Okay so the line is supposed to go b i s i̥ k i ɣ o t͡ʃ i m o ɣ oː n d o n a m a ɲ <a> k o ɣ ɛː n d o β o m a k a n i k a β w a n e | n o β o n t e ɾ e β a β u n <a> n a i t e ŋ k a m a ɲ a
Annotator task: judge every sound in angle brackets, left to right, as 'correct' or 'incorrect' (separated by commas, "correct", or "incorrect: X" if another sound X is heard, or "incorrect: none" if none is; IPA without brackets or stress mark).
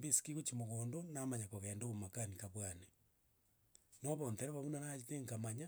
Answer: correct, correct